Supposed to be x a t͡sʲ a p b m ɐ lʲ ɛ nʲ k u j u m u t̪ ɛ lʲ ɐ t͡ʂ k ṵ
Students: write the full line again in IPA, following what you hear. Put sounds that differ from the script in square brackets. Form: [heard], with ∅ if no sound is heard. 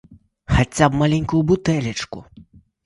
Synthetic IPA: x a t͡sʲ a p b m [a] lʲ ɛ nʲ k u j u [b] u t̪ ɛ lʲ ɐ t͡ʂ k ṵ